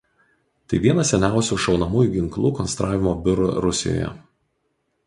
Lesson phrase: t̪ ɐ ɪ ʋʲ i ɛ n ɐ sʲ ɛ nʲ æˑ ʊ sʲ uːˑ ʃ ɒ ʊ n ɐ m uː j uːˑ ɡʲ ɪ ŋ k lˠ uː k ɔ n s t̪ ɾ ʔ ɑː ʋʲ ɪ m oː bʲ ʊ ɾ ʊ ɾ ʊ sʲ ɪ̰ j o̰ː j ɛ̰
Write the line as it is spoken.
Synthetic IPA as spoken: t̪ ɐ ɪ ʋʲ i ɛ n ɐ sʲ ɛ nʲ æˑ ʊ sʲ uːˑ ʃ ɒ ʊ n ɐ m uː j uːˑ ɡʲ ɪ ŋ k lˠ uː k ɔ n s t̪ ɾ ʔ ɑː ʋʲ ɪ m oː bʲ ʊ ɾ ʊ ɾ ʊ sʲ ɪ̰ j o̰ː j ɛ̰